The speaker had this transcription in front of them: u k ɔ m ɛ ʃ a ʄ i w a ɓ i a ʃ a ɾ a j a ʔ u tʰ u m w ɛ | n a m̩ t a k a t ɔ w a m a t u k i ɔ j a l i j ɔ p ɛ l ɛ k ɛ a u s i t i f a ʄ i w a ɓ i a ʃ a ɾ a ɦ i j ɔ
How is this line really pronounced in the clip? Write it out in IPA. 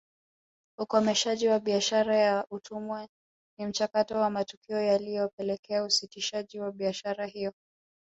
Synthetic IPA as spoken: u k ɔ m ɛ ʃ a ʄ i w a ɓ i a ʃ a ɾ a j a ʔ u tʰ u m w ɛ | n i m̩ t͡ʃ a k a t ɔ w a m a t u k i ɔ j a l i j ɔ p ɛ l ɛ k ɛ a u s i t i ʃ a ʄ i w a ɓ i a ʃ a ɾ a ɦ i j ɔ